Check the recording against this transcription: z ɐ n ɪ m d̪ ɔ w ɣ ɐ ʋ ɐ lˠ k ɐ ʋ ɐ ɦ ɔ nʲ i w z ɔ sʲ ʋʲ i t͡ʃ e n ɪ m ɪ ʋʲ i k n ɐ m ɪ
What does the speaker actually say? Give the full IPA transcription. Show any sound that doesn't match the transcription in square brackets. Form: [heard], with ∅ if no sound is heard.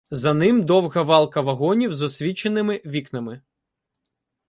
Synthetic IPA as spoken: z ɐ n ɪ m d̪ ɔ w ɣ ɐ ʋ [ɑ] lˠ k ɐ ʋ ɐ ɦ ɔ nʲ i w z ɔ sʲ ʋʲ i t͡ʃ e n ɪ m ɪ ʋʲ i k n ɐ m ɪ